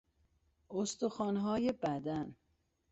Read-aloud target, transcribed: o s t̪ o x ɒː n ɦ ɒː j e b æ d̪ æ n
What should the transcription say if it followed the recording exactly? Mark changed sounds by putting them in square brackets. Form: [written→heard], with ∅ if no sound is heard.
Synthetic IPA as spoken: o s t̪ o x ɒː n ɦ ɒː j e b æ d̪ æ n